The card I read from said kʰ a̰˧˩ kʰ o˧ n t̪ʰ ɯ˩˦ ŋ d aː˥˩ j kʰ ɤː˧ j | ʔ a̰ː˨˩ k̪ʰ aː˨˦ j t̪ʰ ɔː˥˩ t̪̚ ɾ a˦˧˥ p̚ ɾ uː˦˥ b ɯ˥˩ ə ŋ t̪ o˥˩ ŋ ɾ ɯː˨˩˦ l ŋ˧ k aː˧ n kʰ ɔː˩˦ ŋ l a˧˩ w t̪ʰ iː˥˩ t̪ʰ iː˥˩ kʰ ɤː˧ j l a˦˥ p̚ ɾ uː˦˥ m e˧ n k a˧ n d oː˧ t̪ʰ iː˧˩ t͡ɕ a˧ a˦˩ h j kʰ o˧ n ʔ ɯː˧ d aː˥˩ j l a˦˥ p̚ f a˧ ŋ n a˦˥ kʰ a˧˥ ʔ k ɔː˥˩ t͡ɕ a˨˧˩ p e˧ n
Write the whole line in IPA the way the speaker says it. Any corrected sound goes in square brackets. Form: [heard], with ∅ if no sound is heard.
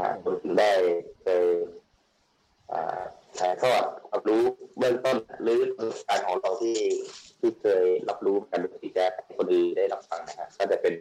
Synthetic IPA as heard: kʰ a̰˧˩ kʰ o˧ n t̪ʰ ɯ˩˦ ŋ d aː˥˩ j kʰ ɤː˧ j | ʔ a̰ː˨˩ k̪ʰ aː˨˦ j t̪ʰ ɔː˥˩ t̪̚ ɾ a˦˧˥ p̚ ɾ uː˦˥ b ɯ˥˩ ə ŋ t̪ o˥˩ [n] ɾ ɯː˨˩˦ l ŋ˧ k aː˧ n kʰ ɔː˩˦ ŋ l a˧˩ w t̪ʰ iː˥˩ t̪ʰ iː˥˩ kʰ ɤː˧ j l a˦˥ p̚ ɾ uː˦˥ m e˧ n k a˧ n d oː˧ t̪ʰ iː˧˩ t͡ɕ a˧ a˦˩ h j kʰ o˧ n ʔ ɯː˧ d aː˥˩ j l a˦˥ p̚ f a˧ ŋ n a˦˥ kʰ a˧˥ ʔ k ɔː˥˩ t͡ɕ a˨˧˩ p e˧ n